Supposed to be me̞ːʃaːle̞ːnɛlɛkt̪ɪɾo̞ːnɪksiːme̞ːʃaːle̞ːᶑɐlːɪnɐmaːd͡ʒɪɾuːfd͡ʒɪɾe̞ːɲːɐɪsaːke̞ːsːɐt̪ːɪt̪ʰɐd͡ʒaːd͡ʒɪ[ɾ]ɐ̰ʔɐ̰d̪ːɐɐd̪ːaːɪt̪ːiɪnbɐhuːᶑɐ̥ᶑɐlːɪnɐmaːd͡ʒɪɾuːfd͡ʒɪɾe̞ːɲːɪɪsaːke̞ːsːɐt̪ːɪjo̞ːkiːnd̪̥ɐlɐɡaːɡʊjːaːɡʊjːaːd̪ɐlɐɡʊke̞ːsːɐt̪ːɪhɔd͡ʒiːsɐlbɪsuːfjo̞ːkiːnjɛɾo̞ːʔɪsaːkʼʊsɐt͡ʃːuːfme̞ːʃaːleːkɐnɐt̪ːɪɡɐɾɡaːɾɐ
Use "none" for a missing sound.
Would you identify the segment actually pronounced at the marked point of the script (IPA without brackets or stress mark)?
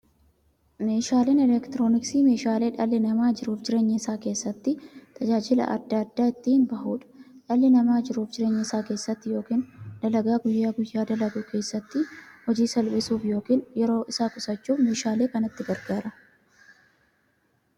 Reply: l